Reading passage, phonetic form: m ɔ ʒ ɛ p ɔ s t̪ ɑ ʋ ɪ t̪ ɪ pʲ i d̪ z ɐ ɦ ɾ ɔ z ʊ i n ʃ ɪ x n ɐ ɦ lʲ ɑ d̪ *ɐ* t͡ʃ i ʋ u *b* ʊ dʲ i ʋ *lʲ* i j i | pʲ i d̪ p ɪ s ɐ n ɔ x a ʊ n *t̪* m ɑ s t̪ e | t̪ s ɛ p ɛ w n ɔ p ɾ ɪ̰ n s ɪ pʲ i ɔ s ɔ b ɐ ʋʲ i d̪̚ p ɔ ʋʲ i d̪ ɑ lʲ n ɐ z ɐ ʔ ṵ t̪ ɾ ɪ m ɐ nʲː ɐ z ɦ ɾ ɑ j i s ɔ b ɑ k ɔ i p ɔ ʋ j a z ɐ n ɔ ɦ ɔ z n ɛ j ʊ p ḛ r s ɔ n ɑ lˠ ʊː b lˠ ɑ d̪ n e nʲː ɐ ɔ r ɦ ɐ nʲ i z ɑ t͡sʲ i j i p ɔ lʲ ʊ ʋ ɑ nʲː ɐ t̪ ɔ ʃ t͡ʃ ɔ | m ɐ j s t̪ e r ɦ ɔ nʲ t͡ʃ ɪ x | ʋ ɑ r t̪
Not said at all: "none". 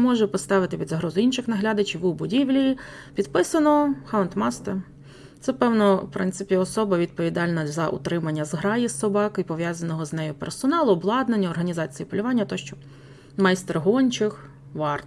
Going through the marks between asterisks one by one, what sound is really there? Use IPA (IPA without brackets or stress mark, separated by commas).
ɐ, b, lʲ, t̪